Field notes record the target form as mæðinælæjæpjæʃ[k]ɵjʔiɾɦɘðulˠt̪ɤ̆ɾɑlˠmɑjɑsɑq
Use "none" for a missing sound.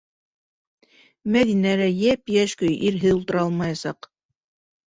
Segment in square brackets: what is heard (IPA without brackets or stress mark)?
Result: k